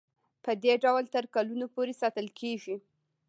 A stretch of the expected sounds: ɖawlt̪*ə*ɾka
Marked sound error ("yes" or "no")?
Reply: no